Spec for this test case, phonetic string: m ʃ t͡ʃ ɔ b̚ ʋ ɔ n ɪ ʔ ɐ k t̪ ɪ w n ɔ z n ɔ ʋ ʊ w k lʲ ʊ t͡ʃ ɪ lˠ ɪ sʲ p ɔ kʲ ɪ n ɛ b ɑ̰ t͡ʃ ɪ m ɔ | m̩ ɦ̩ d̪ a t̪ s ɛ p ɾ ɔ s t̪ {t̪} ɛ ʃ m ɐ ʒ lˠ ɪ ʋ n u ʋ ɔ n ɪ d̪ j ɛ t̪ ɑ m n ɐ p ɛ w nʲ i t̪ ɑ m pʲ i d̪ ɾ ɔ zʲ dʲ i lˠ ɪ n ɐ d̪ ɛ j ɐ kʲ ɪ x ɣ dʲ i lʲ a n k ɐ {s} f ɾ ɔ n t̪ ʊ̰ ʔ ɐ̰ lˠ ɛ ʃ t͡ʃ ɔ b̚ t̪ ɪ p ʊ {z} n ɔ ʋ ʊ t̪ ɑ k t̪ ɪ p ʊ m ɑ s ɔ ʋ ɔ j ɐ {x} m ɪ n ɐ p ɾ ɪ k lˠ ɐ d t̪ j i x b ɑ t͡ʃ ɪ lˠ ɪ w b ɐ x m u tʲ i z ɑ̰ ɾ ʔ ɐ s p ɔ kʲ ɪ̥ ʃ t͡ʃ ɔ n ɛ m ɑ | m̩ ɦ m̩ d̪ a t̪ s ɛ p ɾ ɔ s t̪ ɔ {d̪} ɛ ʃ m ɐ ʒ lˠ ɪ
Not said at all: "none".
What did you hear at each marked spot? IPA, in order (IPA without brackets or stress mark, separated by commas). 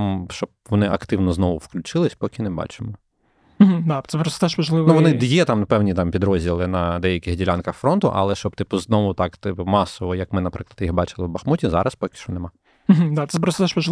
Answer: t̪, x, z, k, t̪